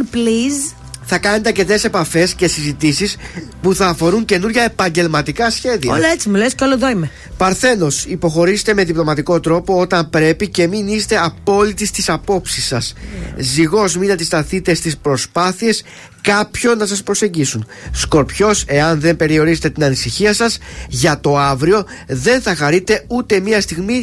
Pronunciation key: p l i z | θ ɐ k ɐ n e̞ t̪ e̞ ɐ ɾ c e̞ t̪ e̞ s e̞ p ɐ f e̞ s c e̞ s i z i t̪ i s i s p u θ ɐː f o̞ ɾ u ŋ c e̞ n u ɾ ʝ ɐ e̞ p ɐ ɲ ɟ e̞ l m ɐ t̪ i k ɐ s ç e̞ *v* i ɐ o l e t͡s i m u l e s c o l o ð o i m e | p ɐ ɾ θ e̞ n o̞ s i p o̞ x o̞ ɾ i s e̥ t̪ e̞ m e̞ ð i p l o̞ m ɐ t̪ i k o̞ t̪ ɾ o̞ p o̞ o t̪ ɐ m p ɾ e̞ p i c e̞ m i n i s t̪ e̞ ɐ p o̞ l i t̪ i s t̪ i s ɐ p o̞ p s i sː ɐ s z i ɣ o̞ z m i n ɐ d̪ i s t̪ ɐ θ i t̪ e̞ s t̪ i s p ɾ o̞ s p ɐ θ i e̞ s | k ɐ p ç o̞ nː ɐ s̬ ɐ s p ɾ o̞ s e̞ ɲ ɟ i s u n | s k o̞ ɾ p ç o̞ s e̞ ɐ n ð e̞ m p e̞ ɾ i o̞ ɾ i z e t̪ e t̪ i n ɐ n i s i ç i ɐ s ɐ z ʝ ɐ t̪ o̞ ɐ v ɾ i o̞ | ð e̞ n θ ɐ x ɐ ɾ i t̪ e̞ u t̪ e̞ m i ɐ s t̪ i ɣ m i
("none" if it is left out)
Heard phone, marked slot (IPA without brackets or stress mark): ð